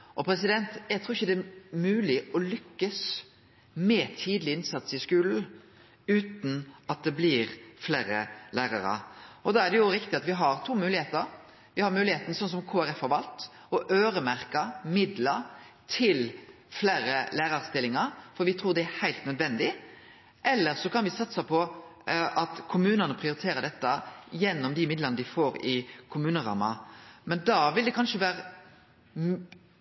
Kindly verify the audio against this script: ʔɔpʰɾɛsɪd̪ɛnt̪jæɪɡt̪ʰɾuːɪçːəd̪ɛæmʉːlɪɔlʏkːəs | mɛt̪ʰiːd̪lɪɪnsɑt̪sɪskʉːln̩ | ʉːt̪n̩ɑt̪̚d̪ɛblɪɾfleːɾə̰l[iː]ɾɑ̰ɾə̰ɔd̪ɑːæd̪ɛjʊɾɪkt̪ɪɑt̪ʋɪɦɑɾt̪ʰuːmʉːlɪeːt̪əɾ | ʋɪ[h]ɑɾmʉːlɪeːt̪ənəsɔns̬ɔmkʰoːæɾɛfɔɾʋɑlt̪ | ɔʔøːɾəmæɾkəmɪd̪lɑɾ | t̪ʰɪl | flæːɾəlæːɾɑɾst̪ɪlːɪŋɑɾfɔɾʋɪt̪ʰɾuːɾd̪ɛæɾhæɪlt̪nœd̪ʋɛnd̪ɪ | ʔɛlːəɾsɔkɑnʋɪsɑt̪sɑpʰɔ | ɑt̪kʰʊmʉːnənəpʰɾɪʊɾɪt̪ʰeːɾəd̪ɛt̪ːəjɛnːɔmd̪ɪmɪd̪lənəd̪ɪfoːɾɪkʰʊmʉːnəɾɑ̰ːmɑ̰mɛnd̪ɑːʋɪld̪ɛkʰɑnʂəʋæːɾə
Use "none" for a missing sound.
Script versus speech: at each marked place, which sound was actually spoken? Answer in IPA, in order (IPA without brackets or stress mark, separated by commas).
æː, h